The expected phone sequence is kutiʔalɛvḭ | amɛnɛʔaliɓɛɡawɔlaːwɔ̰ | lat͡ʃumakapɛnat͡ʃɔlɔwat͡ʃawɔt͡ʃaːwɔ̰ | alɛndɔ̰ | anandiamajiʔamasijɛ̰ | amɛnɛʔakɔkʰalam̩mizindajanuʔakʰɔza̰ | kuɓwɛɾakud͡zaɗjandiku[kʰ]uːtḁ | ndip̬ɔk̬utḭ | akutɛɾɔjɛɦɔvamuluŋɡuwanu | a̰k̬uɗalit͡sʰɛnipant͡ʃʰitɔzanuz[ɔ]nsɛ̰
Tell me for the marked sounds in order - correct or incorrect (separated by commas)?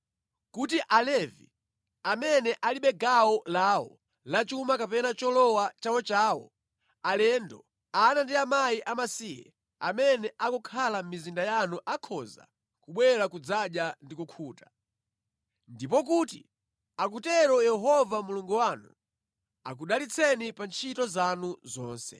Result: correct, incorrect